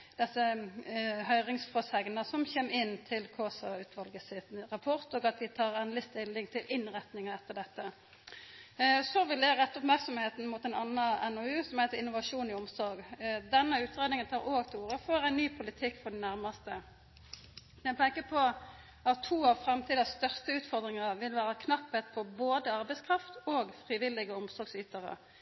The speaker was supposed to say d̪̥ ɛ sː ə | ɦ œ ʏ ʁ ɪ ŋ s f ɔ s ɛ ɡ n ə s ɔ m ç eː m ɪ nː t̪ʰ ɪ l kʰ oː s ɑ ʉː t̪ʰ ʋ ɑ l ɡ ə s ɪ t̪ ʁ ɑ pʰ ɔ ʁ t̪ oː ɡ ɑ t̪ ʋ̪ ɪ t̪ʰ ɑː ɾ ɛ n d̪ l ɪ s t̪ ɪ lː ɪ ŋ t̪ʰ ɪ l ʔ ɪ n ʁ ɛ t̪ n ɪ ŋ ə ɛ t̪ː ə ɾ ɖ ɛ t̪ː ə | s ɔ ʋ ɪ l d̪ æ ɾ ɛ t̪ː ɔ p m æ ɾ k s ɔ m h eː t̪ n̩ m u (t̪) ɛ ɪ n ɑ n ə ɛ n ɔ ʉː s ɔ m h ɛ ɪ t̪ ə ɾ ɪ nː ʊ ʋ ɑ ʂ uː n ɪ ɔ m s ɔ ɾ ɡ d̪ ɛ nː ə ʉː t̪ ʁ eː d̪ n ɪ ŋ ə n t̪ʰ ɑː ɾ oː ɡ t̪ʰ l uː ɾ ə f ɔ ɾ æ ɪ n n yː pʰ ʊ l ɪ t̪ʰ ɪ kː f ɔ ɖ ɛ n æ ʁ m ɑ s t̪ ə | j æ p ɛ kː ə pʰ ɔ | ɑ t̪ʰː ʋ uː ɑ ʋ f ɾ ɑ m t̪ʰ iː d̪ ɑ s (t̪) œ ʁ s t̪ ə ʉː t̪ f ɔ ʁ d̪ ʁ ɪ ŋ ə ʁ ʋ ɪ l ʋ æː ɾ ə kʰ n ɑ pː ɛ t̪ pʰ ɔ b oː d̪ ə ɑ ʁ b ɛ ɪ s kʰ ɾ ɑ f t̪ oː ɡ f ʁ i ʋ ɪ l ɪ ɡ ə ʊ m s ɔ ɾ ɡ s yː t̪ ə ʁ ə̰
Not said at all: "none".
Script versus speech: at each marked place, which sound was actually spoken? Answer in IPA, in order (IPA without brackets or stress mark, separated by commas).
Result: t̪, t̪